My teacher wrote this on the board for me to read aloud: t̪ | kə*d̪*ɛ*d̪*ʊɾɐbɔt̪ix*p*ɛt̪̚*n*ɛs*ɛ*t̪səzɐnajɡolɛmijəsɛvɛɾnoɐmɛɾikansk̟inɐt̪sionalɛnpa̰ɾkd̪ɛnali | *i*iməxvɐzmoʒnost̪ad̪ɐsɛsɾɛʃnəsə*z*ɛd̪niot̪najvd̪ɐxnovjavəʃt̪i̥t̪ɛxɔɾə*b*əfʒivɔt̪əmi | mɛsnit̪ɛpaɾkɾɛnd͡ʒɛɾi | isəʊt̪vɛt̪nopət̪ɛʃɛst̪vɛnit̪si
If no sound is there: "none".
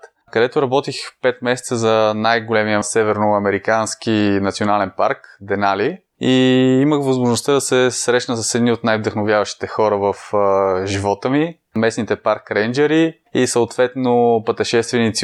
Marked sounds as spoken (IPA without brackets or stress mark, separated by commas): d̪, t̪, p, m, ɛ, i, s, v